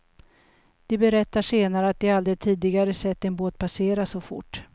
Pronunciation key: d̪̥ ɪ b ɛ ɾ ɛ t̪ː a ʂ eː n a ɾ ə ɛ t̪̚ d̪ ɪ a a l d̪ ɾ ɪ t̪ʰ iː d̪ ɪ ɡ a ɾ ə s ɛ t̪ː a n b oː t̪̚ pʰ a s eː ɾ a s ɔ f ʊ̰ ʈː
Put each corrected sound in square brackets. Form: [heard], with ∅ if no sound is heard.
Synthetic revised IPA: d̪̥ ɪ b ɛ ɾ ɛ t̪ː a ʂ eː n a ɾ ə [a] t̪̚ d̪ ɪ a a l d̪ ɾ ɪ t̪ʰ iː d̪ ɪ ɡ a ɾ ə s ɛ t̪ː [ɛ] n b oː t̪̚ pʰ a s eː ɾ a s ɔ f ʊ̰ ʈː